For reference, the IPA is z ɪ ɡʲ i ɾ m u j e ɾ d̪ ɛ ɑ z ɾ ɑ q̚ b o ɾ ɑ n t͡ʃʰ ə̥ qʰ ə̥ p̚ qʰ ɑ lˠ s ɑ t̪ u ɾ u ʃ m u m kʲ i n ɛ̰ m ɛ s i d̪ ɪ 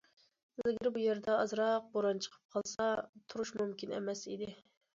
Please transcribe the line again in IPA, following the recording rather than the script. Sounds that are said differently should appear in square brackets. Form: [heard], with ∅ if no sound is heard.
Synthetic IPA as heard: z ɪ ɡʲ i ɾ [b] u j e ɾ d̪ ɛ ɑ z ɾ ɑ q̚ b o ɾ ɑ n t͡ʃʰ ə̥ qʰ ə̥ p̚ qʰ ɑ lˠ s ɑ [t̪ʰ] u ɾ u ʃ m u m kʲ i n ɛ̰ m ɛ s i d̪ ɪ